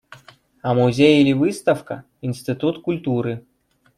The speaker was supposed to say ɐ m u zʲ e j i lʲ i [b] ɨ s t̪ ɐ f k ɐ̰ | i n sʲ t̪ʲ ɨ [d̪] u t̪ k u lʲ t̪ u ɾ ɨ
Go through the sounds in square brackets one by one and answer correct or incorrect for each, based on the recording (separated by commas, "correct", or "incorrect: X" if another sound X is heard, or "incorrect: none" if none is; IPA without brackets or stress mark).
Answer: incorrect: v, incorrect: t̪